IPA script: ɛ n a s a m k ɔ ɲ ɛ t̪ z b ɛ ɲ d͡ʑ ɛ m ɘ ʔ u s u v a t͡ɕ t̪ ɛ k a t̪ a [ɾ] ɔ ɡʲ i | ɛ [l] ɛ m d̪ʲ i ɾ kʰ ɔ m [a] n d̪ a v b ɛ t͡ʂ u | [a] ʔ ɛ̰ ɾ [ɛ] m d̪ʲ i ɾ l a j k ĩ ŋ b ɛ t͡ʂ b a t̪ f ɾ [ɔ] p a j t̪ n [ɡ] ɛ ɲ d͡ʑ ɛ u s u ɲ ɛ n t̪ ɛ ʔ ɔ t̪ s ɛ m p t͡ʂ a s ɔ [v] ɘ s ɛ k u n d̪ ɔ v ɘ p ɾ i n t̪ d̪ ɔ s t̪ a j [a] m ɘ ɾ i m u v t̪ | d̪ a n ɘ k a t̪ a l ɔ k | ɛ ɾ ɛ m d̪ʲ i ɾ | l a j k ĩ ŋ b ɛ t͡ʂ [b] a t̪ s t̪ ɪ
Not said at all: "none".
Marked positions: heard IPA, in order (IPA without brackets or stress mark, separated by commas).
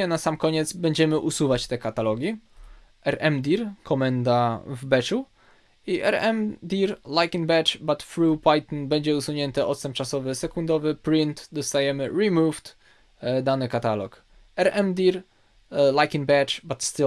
l, ɾ, ɛ, i, ɛ, u, b, v, ɛ, b